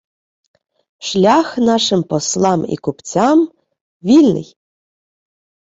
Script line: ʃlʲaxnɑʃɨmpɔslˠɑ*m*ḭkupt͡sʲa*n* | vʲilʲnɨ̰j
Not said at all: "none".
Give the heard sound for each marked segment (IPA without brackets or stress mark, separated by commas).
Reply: m, m